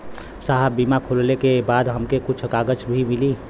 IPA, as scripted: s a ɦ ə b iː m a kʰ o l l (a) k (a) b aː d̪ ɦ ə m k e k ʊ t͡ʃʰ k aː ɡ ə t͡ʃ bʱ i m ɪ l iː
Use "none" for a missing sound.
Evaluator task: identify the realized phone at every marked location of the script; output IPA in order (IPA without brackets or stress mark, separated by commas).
e, e